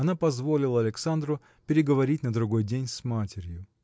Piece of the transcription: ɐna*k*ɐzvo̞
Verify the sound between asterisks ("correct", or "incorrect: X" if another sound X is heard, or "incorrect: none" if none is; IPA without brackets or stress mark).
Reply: incorrect: p